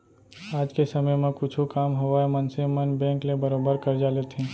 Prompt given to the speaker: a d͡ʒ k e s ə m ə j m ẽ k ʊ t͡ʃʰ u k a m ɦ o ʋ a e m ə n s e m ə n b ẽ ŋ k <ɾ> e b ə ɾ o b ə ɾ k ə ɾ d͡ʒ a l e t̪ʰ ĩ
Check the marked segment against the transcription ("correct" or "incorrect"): incorrect